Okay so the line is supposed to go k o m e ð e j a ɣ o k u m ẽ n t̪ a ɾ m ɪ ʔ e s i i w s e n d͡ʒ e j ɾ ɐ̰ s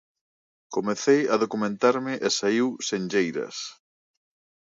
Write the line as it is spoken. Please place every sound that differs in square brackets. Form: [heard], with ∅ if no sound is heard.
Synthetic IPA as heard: k o m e [θ] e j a [ð] o k u m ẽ n t̪ a ɾ m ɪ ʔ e s [a] i w s e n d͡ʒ e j ɾ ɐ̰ s